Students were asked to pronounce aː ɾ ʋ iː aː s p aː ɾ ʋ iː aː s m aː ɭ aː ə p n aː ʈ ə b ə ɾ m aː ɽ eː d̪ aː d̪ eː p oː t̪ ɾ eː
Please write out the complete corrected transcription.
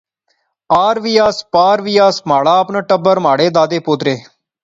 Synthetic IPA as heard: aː ɾ ʋ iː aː s p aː ɾ ʋ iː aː s m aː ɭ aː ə p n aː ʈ ə b ə ɾ m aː ɽ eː d̪ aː d̪ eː p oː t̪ ɾ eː